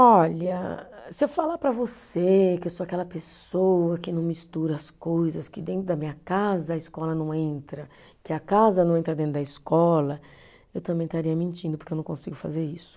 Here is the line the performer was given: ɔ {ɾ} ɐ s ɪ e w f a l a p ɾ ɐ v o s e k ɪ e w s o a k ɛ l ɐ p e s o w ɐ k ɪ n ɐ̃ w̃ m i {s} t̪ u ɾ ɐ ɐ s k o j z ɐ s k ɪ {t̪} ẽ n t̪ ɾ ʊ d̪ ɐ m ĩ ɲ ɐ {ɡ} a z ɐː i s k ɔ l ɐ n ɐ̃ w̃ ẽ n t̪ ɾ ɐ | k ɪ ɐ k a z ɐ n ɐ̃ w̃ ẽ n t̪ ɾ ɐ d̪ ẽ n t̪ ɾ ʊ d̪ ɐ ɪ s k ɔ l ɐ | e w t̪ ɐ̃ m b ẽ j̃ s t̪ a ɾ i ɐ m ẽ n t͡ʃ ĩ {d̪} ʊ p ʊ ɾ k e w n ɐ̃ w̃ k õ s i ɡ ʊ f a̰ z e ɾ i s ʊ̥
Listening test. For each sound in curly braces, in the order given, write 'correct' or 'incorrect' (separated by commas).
incorrect, correct, incorrect, incorrect, correct